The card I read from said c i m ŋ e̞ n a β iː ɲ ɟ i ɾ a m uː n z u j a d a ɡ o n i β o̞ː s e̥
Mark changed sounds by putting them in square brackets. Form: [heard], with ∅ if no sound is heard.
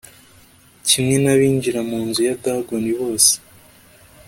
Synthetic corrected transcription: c i m ŋ e̞ n a β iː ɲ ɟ i ɾ a m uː n z u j a d a ɡ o n i β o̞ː s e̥